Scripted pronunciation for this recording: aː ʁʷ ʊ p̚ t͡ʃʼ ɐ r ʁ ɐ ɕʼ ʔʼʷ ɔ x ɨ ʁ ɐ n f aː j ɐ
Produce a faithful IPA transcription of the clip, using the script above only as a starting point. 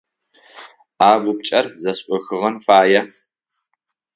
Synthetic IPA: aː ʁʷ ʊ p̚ t͡ʃʼ ɐ r z ɐ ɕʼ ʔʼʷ ɔ x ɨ ʁ ɐ n f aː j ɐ